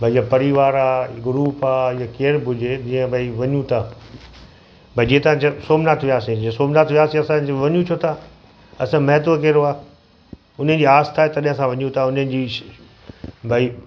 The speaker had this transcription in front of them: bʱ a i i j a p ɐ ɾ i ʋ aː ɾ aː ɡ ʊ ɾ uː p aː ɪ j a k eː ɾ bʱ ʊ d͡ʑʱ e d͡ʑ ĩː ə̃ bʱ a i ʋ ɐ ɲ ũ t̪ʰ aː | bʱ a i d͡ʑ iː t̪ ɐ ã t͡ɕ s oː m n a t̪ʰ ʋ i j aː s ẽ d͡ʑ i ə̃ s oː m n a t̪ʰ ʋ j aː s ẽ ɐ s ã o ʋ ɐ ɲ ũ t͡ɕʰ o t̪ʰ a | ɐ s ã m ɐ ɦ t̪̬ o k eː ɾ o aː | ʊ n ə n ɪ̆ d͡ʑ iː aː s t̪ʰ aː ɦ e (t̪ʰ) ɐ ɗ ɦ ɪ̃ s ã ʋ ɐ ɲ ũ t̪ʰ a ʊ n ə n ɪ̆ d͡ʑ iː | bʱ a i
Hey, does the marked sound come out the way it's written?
no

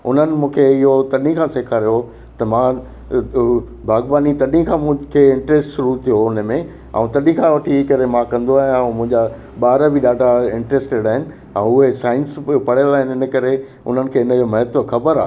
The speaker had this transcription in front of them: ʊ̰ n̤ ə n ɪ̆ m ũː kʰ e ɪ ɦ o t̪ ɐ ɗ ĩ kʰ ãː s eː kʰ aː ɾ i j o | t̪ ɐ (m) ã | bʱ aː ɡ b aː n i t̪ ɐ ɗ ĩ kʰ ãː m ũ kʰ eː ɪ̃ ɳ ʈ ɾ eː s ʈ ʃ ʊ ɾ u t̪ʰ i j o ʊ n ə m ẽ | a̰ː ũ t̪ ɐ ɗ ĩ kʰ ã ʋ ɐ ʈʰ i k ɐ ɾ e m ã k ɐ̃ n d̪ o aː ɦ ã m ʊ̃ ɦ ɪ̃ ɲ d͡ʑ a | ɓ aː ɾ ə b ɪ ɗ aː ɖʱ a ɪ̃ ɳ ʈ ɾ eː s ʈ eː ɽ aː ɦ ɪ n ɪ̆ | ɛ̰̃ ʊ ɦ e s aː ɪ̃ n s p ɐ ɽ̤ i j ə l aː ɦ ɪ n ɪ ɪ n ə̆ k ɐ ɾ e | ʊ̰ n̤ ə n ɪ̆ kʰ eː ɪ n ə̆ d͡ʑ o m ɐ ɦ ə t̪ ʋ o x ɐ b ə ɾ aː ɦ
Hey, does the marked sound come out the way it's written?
yes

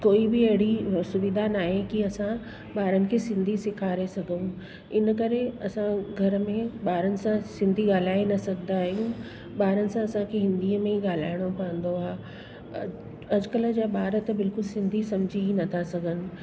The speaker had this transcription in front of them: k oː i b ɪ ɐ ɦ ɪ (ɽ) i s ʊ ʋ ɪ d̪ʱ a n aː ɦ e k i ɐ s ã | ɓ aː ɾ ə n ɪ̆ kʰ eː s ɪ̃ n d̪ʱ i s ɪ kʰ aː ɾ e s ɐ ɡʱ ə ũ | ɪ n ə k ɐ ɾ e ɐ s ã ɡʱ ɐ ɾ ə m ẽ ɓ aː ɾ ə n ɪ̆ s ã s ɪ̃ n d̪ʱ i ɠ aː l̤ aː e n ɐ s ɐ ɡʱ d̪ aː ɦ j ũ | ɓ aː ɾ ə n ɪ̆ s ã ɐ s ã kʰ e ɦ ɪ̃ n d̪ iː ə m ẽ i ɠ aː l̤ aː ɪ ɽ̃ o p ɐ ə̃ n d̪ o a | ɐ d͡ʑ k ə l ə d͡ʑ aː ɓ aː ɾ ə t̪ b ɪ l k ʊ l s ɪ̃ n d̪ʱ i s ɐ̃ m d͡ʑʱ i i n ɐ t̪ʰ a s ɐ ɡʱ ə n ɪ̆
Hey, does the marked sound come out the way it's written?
yes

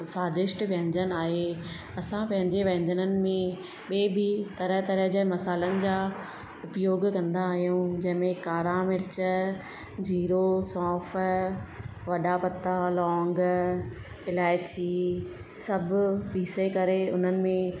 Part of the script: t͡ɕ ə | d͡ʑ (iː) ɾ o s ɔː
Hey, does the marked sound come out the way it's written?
yes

